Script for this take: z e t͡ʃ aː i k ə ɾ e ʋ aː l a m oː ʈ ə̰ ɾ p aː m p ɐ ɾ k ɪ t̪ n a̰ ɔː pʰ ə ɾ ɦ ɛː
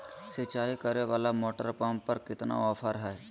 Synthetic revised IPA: s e t͡ʃ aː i k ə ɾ e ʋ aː l a m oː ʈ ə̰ ɾ p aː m p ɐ ɾ k ɪ t̪ n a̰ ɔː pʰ ə ɾ ɦ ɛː

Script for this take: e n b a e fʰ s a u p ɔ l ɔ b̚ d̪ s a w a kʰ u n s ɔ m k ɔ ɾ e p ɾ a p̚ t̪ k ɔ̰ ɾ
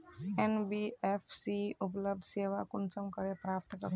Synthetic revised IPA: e n b i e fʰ s i u p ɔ l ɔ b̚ d̪ s e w a k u n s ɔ m k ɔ ɾ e p ɾ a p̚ t̪ k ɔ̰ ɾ

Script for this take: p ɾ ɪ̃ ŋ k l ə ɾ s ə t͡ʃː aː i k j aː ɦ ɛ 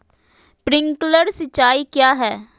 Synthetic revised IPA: p ɾ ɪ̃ ŋ k l ə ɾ s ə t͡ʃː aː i k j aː ɦ ɛː

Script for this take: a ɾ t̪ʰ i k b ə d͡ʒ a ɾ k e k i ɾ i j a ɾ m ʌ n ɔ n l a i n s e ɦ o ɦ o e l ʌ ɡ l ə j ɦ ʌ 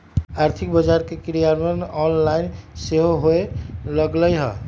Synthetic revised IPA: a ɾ t̪ʰ i k b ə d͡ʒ a ɾ k e k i ɾ i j a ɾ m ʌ n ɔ n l a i n s e ɦ o ɦ o e l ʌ ɡ l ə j ɦ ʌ

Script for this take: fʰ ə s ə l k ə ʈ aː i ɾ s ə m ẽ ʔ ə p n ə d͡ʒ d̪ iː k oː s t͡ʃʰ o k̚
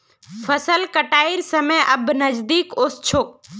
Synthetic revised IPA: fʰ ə s ə l k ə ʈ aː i ɾ s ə m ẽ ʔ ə b n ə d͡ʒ d̪ iː k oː s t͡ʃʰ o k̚

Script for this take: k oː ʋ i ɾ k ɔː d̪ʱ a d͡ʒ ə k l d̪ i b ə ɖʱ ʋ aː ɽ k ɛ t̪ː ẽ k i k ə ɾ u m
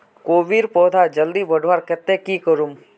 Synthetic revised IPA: k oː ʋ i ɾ p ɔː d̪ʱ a d͡ʒ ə l d̪ i b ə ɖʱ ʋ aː ɾ k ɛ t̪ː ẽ k i k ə ɾ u m

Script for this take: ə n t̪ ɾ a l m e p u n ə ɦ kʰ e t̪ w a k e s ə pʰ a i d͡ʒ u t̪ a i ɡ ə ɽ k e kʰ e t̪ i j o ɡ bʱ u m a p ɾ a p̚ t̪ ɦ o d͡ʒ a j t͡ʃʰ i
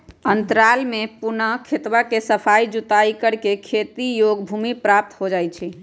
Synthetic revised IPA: ə n t̪ ɾ a l m e p u n ə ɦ kʰ e t̪ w a k e s ə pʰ a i d͡ʒ u t̪ a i k ə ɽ k e kʰ e t̪ i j o ɡ bʱ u m i p ɾ a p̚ t̪ ɦ o d͡ʒ a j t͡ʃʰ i

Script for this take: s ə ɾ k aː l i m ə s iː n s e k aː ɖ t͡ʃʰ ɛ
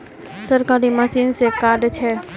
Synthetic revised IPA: s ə ɾ k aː ɾ i m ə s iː n s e k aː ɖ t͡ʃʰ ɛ

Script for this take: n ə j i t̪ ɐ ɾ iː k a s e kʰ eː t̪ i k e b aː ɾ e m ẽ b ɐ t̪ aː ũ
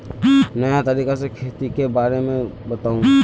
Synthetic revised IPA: n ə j a t̪ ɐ ɾ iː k a s e kʰ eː t̪ i k e b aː ɾ e m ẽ b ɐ t̪ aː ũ

